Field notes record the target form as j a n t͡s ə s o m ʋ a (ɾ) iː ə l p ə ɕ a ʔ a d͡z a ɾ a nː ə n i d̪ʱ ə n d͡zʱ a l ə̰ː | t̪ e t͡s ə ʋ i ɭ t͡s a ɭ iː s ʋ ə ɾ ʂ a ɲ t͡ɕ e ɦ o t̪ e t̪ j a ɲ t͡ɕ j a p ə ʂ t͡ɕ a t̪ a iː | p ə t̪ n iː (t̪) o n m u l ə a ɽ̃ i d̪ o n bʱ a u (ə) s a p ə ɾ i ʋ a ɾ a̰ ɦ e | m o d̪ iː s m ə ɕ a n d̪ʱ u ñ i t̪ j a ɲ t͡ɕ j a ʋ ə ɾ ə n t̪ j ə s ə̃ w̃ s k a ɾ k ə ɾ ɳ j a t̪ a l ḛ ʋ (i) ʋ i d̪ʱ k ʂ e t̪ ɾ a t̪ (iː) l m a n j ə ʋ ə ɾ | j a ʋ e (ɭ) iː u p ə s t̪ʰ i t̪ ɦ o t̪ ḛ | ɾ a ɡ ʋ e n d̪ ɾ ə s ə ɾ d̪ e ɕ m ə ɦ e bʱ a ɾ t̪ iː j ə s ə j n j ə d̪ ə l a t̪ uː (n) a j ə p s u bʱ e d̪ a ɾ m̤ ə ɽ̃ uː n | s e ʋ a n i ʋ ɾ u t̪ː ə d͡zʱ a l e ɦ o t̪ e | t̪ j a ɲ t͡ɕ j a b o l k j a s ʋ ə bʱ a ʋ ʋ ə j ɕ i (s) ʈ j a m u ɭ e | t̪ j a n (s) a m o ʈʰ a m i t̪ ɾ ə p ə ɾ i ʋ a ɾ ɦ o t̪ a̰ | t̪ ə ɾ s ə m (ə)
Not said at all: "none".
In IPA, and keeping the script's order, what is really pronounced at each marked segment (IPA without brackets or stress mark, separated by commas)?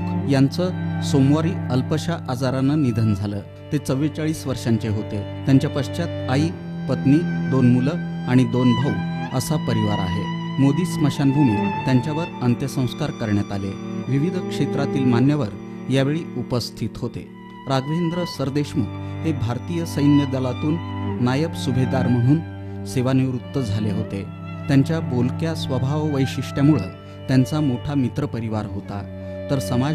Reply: ɾ, d̪, ə, i, iː, ɭ, nː, ʂ, t͡s, a